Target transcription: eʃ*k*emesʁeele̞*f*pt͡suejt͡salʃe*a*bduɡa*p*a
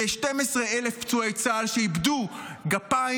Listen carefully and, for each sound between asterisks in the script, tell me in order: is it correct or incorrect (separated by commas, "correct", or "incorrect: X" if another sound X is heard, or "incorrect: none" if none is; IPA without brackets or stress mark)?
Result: incorrect: t, correct, incorrect: i, correct